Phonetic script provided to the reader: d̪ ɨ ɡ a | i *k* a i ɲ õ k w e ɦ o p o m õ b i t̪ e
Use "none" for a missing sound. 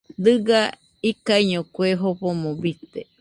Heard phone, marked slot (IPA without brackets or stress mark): k